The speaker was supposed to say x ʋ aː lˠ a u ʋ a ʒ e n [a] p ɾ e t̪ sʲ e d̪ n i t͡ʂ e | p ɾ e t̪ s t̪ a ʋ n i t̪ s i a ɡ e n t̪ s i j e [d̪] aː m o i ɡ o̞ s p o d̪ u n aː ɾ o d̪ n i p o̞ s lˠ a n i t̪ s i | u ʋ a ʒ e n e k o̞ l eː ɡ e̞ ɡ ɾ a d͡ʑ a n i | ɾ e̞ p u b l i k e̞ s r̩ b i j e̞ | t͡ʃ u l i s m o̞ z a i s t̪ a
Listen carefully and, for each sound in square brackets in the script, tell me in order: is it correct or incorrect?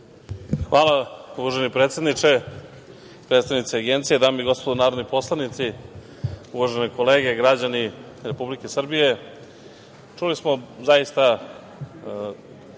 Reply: incorrect: i, correct

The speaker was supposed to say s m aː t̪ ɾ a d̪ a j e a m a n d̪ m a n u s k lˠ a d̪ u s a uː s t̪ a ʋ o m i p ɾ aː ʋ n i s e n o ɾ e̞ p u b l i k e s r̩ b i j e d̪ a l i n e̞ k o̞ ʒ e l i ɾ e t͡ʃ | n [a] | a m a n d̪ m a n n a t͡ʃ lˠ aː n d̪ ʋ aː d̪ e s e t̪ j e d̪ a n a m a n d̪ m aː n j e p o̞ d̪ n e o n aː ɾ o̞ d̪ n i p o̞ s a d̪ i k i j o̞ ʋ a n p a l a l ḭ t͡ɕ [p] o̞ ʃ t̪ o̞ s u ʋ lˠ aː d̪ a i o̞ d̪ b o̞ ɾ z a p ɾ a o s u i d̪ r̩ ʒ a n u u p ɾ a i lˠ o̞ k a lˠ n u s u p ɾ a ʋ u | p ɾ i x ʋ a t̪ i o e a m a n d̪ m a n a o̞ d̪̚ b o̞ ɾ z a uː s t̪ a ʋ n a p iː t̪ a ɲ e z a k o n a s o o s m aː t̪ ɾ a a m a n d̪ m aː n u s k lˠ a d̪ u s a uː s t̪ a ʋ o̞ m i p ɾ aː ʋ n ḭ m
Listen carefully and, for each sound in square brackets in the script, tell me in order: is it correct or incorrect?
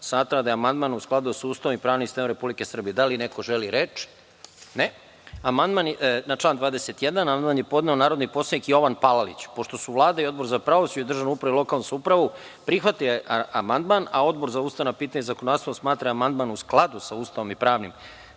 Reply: incorrect: e, correct

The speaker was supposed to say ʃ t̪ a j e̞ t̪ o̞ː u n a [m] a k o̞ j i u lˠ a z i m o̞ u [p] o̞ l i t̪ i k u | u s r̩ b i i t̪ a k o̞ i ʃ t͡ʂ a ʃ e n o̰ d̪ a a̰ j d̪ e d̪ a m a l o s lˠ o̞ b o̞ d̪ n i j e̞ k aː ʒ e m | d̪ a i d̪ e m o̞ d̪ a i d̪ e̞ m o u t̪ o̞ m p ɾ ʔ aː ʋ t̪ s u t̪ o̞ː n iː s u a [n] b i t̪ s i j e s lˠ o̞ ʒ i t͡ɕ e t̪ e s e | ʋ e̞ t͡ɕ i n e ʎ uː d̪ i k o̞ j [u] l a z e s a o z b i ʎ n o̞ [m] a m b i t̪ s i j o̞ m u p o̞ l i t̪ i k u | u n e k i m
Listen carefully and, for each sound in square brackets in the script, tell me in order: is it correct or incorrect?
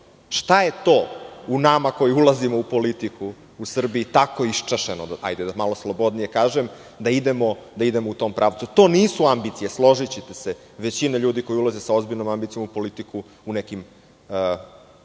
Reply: correct, correct, incorrect: m, correct, correct

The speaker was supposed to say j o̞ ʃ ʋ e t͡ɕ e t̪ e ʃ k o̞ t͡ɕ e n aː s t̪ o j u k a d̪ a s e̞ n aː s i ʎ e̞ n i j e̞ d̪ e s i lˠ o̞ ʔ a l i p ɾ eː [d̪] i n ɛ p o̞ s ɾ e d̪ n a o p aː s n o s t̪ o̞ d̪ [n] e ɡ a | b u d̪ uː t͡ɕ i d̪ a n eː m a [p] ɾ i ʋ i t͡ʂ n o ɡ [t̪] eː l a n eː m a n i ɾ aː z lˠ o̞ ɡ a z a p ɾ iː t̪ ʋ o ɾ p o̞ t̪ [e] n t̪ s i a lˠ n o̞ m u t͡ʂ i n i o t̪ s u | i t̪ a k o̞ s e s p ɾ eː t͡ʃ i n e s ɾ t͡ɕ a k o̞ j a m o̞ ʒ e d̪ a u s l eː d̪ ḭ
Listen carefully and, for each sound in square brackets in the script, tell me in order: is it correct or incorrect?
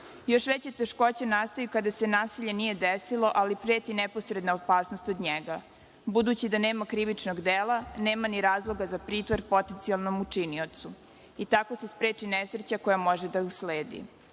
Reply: incorrect: t̪, incorrect: ɲ, incorrect: k, incorrect: d̪, correct

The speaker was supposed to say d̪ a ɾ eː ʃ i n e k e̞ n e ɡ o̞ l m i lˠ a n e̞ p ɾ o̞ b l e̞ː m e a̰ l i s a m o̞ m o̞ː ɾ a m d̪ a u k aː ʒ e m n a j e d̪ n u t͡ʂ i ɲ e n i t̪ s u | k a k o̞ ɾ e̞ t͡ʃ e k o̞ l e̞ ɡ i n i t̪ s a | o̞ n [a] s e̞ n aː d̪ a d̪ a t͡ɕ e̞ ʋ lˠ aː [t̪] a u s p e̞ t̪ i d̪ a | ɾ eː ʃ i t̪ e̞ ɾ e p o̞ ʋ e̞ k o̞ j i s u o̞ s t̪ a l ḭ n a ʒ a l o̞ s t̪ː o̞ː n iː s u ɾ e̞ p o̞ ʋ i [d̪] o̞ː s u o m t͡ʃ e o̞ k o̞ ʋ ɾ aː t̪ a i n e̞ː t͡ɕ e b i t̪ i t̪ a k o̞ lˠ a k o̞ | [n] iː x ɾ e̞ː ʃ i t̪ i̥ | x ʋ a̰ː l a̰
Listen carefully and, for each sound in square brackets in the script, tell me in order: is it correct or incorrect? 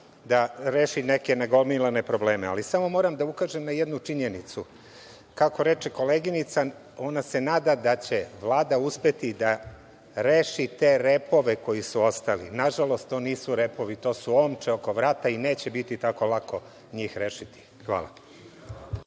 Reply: correct, incorrect: d̪, incorrect: t̪, incorrect: ɲ

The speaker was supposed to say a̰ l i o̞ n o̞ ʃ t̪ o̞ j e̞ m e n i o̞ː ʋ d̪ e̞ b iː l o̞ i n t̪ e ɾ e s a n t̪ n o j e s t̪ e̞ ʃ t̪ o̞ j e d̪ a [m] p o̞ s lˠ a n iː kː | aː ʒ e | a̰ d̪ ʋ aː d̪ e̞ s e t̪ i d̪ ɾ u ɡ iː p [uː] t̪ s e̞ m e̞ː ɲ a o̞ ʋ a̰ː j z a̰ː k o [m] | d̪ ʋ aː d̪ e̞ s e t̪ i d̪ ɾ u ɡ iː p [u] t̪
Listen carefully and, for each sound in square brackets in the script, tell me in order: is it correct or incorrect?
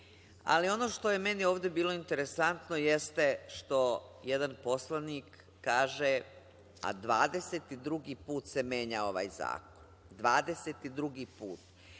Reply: incorrect: n, correct, incorrect: n, incorrect: uː

